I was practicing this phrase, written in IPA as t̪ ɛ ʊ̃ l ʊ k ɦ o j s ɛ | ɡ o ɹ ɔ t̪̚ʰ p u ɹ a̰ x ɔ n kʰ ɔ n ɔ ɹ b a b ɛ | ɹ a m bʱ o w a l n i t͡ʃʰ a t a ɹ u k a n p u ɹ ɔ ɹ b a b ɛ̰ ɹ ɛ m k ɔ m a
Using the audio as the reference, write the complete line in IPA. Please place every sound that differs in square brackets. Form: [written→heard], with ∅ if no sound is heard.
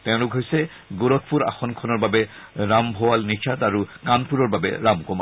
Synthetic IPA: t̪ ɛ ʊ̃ l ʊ k ɦ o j s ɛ | ɡ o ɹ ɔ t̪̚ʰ p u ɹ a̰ x ɔ n kʰ ɔ n ɔ ɹ b a b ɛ | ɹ a m bʱ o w a l n i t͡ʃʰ a t a ɹ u k a n p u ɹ ɔ ɹ b a b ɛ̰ ɹ [ɛ→a] m k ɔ m a